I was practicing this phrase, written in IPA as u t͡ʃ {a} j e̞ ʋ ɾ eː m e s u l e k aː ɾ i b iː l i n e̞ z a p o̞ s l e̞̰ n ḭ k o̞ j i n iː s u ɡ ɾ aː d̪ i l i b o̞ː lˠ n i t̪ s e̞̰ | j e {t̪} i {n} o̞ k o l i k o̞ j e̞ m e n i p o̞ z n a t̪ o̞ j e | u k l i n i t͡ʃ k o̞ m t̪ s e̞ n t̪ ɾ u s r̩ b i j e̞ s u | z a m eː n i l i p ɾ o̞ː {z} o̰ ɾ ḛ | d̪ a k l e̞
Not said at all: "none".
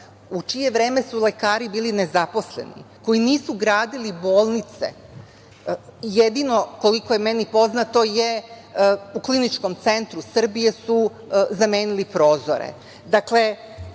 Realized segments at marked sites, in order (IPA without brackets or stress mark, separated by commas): i, d̪, n, z